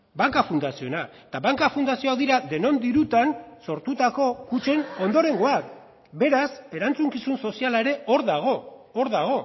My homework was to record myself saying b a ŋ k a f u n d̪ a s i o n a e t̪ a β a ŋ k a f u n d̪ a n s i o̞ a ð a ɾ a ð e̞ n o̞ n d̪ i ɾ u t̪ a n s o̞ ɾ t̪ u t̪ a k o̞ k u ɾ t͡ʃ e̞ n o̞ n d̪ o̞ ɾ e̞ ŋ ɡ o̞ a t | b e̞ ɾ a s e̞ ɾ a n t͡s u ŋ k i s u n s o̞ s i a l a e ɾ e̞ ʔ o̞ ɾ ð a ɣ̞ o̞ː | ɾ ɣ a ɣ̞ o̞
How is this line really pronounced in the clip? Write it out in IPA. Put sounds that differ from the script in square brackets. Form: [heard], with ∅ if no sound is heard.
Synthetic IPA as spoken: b a ŋ k a f u n d̪ a s i o n a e t̪ a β a ŋ k a f u n d̪ a [∅] s i o̞ a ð [i] ɾ a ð e̞ n o̞ n d̪ i ɾ u t̪ a n s o̞ ɾ t̪ u t̪ a k o̞ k u [∅] t͡ʃ e̞ n o̞ n d̪ o̞ ɾ e̞ ŋ ɡ o̞ a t | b e̞ ɾ a s e̞ ɾ a n t͡s u ŋ k i s u n s o̞ s i a l a e ɾ e̞ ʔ o̞ ɾ ð a ɣ̞ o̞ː | ɾ [ð] a ɣ̞ o̞